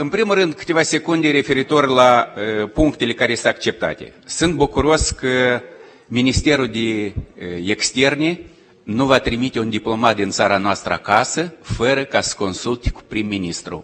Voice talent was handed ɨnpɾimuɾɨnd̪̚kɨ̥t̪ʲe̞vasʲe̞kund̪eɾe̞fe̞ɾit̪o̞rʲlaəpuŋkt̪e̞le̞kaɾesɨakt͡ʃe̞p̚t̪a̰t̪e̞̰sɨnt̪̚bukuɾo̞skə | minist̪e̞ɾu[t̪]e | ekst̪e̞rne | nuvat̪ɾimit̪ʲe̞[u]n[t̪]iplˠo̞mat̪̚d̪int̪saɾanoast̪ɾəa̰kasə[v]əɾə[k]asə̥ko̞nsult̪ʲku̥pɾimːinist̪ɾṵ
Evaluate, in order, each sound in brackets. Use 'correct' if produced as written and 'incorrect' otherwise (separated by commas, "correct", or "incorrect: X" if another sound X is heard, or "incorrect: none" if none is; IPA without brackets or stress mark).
incorrect: d̪, correct, incorrect: d̪, incorrect: f, correct